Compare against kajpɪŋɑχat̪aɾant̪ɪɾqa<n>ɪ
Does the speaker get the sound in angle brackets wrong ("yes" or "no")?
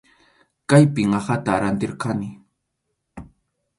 no